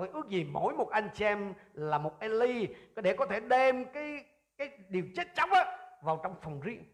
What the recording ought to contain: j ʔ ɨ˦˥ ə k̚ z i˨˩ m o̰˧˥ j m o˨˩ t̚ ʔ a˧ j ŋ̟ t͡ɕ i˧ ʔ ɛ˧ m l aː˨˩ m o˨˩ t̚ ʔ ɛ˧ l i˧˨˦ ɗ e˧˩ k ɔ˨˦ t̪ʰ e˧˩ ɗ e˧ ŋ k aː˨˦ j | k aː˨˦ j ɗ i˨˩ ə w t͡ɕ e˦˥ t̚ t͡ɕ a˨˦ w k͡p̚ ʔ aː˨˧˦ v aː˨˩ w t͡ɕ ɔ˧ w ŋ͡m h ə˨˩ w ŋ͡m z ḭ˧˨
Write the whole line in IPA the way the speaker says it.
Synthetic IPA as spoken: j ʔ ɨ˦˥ ə k̚ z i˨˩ m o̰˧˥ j m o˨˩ t̚ ʔ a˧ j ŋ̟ t͡ɕ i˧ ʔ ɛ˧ m l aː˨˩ m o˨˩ t̚ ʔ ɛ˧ l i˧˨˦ ɗ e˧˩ k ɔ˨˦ t̪ʰ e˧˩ ɗ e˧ m k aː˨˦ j | k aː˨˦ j ɗ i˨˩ ə w t͡ɕ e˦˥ t̚ t͡ɕ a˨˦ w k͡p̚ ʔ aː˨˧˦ v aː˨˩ w t͡ɕ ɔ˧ w ŋ͡m f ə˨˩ w ŋ͡m z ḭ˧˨